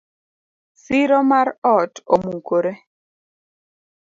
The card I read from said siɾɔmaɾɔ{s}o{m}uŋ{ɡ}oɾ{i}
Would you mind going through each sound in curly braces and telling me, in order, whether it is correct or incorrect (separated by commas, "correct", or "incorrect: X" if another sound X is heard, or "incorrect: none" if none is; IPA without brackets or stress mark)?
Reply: incorrect: t, correct, incorrect: k, incorrect: e